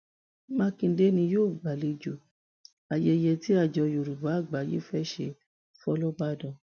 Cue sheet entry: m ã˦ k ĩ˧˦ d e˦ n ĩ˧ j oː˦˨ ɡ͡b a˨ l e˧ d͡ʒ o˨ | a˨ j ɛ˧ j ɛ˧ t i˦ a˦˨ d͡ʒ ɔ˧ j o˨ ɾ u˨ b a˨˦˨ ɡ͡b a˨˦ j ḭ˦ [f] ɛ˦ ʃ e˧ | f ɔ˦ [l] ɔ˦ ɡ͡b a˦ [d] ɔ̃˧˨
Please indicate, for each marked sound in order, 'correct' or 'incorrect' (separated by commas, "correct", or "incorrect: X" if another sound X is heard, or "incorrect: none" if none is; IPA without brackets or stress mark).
correct, correct, correct